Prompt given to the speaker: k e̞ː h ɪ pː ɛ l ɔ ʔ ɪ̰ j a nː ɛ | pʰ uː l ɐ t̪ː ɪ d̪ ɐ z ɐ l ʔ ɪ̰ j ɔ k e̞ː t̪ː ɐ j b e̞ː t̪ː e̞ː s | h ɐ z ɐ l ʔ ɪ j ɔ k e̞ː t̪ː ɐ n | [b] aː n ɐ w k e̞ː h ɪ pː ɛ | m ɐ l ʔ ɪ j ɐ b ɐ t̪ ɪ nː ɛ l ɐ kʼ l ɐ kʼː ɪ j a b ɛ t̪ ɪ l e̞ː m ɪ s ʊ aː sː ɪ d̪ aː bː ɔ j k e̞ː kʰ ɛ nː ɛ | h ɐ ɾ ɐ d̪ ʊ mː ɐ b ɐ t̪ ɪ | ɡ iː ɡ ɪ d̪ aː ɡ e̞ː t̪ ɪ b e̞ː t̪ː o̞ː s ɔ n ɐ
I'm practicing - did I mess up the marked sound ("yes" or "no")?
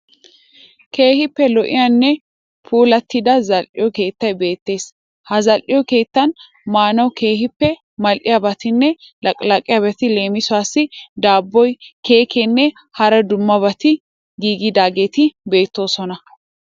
yes